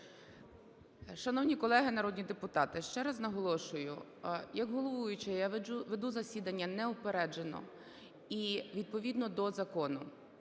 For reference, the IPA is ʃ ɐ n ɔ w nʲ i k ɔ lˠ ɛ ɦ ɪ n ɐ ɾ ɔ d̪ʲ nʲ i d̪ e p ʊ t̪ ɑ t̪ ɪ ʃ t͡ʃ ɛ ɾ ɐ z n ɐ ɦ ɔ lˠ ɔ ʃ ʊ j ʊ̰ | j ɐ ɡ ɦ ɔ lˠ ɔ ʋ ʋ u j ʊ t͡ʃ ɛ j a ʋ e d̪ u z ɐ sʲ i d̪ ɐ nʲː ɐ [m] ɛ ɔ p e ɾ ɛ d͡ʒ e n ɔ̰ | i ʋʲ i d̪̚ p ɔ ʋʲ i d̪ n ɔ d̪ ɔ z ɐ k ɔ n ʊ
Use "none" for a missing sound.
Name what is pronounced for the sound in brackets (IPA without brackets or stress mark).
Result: n